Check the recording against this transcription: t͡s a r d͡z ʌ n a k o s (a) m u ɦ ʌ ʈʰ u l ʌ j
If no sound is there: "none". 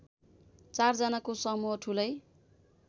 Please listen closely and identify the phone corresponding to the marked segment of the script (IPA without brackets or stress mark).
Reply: ʌ